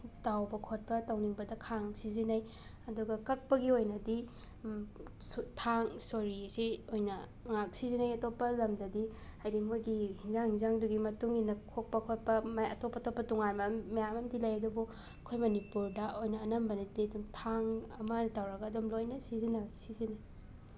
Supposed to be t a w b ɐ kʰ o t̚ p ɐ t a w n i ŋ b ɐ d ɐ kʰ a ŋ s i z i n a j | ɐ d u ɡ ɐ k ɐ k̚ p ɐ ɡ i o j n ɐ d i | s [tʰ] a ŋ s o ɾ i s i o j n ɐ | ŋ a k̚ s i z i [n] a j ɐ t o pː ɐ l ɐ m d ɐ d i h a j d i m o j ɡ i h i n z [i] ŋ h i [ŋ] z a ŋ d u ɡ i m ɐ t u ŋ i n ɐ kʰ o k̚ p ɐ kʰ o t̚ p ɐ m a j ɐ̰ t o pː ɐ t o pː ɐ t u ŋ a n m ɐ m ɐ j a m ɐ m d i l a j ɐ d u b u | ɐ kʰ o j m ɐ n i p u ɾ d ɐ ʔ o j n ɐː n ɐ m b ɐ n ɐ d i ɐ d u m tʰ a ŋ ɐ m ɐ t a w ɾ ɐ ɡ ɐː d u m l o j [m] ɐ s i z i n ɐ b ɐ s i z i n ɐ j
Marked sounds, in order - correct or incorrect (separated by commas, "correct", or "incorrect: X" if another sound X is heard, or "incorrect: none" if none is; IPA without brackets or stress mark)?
correct, correct, incorrect: a, incorrect: n, incorrect: n